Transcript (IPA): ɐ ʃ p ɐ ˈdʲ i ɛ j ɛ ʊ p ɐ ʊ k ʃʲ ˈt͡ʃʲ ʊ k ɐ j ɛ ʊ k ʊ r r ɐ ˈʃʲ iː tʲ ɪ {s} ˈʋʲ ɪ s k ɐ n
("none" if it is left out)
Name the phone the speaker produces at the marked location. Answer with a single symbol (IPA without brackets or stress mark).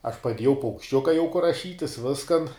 s